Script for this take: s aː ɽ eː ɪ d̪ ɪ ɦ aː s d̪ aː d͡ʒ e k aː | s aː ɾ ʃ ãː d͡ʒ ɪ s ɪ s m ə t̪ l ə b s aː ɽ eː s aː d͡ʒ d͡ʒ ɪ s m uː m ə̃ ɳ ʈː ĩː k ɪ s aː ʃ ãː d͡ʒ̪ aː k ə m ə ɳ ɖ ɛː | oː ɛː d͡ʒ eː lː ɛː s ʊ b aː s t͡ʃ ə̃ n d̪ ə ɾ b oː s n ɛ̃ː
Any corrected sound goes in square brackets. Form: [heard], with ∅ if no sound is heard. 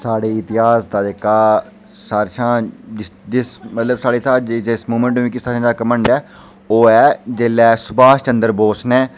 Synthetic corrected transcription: s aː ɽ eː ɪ [t̪] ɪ ɦ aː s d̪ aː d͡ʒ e k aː | s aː ɾ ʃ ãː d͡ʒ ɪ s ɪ s m ə t̪ l ə b s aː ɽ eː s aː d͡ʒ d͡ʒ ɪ s m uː m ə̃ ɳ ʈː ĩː k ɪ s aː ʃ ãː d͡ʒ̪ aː k ə m ə ɳ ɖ ɛː | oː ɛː d͡ʒ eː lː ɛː s ʊ b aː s t͡ʃ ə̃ n d̪ ə ɾ b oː s n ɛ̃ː

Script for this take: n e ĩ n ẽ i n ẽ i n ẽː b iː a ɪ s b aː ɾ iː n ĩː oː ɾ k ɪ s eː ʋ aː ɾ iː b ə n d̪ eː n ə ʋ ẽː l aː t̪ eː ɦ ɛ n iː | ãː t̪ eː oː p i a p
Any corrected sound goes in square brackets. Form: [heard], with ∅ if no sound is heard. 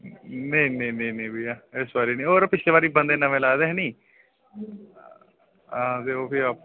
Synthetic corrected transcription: n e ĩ n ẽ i n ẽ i n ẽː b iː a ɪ s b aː ɾ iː n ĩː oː ɾ [p] ɪ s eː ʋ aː ɾ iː b ə n d̪ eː n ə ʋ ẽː l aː [d̪] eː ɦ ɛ n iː | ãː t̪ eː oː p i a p

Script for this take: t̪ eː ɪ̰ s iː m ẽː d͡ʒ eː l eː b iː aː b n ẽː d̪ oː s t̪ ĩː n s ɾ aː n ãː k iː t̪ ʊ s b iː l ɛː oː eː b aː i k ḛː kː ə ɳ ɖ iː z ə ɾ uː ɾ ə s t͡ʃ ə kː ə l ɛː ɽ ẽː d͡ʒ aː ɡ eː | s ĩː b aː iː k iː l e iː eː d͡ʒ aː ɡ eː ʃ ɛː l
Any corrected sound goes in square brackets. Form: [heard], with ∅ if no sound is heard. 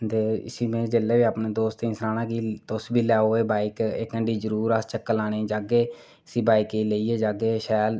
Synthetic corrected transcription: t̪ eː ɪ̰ s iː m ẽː d͡ʒ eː l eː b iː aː [p] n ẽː d̪ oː s t̪ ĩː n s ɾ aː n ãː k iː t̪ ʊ s b iː l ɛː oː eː b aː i k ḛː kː ə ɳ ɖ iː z ə ɾ uː ɾ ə s t͡ʃ ə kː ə l [aː] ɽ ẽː d͡ʒ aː ɡ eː | s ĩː b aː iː k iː l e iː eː d͡ʒ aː ɡ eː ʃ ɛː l

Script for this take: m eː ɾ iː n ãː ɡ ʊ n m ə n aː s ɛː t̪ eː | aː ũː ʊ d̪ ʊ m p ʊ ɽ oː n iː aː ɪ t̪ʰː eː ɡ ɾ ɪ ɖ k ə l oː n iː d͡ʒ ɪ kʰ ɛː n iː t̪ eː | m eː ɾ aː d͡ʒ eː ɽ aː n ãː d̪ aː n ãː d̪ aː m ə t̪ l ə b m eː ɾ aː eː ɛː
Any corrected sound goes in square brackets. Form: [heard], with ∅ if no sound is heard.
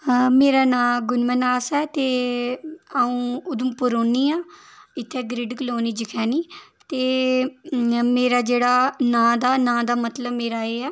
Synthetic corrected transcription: m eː ɾ [aː] n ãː ɡ ʊ n m ə n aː s ɛː t̪ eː | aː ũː ʊ d̪ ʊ m p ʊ [ɾ] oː n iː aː ɪ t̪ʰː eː ɡ ɾ ɪ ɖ k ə l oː n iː d͡ʒ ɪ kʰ ɛː n iː t̪ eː | m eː ɾ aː d͡ʒ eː ɽ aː n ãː d̪ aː n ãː d̪ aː m ə t̪ l ə b m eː ɾ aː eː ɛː

